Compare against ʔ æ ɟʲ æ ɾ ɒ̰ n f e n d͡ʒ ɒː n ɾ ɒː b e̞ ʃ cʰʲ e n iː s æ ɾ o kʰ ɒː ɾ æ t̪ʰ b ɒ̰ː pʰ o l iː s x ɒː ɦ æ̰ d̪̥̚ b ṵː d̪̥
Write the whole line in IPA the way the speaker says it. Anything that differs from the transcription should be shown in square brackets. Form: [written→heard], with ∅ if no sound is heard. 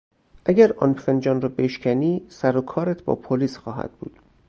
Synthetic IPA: ʔ æ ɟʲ æ ɾ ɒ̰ n f e n d͡ʒ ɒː n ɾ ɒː b e̞ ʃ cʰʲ [e→æ] n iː s æ ɾ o kʰ ɒː ɾ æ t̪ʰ b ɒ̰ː pʰ o l iː s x ɒː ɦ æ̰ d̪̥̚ b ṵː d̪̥